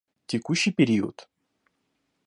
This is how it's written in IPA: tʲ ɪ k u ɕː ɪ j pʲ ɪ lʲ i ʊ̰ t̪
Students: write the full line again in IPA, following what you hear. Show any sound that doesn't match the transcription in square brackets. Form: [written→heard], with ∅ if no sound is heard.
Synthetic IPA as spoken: tʲ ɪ k u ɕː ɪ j pʲ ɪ [lʲ→ɾʲ] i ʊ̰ t̪